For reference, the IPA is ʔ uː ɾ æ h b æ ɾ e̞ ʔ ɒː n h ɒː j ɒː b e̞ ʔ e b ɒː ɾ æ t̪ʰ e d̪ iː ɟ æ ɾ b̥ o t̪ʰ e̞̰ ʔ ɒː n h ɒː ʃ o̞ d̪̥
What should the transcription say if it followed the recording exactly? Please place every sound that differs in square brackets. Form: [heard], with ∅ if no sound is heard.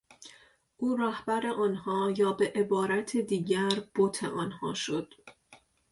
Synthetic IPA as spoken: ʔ uː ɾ æ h b æ ɾ e̞ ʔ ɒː n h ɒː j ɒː b e̞ ʔ e b ɒː ɾ æ t̪ʰ e d̪ iː ɟ æ ɾ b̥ o t̪ʰ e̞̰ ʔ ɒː n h ɒː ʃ o̞ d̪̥